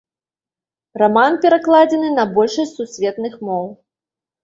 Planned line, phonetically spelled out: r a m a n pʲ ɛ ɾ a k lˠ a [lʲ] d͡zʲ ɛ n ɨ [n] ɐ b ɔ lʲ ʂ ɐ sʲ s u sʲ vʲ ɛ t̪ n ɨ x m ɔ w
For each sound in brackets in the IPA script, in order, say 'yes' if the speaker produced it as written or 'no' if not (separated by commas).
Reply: no, yes